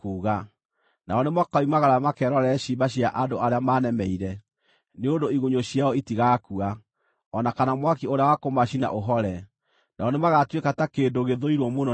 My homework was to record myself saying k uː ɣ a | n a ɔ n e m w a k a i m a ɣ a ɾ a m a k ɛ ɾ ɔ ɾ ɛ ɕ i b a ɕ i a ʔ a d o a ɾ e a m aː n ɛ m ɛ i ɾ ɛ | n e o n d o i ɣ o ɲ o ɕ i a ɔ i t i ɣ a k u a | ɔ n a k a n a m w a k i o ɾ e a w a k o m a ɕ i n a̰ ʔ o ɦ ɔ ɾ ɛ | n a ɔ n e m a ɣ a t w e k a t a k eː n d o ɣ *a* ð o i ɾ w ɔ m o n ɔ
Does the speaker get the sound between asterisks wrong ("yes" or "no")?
yes